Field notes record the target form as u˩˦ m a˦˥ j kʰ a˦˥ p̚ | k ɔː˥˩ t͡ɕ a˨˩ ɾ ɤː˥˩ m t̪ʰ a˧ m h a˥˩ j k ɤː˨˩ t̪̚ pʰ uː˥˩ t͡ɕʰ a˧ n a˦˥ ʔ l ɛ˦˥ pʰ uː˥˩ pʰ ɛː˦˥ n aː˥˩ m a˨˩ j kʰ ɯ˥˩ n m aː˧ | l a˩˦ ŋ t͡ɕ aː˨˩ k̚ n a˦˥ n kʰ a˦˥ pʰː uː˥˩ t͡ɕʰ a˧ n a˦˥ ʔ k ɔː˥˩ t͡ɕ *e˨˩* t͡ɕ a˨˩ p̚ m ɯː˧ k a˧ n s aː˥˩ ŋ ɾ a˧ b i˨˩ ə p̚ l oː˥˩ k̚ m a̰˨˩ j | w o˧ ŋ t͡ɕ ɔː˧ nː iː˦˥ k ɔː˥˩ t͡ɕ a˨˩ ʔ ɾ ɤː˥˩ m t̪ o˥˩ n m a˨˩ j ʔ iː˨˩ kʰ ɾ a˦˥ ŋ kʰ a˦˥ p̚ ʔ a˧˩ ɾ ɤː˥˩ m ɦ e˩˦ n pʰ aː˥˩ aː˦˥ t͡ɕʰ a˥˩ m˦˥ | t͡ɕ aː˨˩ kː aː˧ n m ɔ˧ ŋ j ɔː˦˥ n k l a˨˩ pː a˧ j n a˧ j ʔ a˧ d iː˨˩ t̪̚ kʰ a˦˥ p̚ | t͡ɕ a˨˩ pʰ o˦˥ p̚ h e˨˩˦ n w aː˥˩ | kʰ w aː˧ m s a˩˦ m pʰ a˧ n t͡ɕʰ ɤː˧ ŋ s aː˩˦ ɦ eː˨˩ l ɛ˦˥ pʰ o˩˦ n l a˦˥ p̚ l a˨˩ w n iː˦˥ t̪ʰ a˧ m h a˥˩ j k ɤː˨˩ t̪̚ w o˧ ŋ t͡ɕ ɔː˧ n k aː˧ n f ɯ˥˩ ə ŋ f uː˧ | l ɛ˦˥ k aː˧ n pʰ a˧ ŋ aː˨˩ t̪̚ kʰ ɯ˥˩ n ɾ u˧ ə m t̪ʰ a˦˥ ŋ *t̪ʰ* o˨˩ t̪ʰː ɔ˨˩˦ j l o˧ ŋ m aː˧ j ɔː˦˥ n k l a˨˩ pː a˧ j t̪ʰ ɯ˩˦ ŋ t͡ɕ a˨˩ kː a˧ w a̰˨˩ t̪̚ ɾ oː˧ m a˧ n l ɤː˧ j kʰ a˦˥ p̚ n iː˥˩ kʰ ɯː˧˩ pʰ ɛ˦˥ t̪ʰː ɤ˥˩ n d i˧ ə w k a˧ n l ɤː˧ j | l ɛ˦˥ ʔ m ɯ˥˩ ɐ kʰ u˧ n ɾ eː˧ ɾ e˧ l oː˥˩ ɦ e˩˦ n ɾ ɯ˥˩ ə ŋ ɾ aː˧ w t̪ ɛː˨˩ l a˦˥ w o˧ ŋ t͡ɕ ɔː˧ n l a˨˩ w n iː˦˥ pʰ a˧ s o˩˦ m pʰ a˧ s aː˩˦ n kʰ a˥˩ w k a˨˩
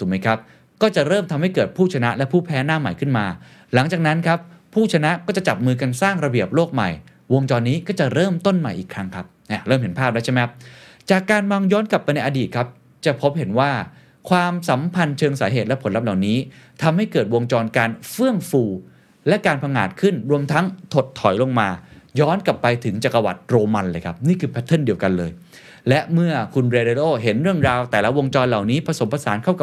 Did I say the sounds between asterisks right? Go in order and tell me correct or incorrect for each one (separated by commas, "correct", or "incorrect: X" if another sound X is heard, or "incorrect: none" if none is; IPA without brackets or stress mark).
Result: incorrect: a˨˩, correct